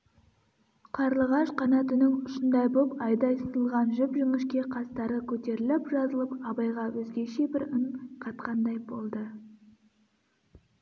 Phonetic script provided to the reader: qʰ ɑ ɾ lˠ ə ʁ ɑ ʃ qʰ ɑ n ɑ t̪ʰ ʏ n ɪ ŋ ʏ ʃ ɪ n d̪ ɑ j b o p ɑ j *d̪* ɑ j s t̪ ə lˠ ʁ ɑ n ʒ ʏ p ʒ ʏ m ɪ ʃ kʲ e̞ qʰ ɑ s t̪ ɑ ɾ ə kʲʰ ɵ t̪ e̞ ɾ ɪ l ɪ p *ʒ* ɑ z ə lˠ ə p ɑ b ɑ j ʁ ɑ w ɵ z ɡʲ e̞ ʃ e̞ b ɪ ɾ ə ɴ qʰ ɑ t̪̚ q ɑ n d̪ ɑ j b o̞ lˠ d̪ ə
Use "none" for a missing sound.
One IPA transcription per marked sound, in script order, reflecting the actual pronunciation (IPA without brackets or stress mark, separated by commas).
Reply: d̪, ʒ